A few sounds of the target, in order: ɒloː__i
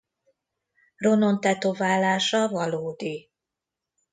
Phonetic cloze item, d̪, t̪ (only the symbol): d̪